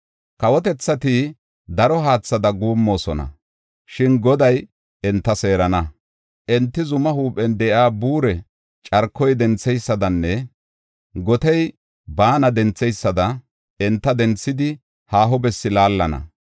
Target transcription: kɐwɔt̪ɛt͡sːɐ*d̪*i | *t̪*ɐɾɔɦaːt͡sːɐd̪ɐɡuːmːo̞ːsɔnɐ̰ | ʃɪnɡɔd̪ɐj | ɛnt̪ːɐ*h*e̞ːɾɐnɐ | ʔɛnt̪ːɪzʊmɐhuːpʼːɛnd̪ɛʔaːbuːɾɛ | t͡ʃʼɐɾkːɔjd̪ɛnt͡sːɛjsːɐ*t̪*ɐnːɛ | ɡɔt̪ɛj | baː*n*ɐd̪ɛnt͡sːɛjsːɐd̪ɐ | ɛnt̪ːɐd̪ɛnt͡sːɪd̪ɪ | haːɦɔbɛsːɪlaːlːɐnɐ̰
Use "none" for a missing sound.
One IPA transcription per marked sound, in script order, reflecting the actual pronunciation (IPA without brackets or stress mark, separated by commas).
t̪, d̪, s, d̪, n